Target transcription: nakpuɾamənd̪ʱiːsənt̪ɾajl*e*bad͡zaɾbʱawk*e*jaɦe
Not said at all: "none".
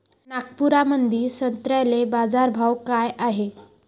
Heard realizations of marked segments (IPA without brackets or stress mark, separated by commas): e, a